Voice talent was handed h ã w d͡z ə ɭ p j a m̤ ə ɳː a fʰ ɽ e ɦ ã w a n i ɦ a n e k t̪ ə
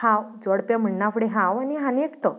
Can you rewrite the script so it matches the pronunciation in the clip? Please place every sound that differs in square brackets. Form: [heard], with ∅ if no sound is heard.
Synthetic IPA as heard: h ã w d͡z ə [ɽ] p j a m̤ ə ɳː a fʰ ɽ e ɦ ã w a n i ɦ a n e k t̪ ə